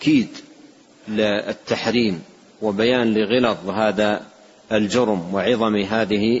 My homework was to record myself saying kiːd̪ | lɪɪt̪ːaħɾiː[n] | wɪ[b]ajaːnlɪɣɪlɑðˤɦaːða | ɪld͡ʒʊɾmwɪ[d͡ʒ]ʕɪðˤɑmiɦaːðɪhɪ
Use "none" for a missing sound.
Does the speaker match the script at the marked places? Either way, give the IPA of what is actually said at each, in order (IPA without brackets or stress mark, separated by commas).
m, b, none